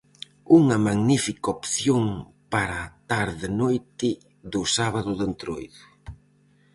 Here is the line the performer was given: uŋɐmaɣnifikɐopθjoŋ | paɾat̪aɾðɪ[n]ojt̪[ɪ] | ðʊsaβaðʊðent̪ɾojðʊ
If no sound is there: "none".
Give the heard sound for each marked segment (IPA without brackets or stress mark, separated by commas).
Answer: n, ɪ